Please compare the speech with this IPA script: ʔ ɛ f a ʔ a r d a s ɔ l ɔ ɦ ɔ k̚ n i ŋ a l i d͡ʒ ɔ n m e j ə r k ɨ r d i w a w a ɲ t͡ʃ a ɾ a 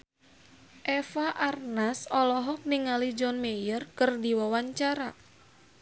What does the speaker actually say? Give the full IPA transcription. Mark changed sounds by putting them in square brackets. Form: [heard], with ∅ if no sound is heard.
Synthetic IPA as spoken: ʔ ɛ f a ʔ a r [n] a s ɔ l ɔ ɦ ɔ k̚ n i ŋ a l i d͡ʒ ɔ n m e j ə r k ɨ r d i w a w a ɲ t͡ʃ a ɾ a